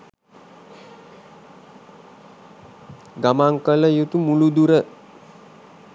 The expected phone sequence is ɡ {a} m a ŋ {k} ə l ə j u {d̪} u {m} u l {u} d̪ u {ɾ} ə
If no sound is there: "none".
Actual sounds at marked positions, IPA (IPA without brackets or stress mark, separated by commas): a, k, t̪, m, u, ɾ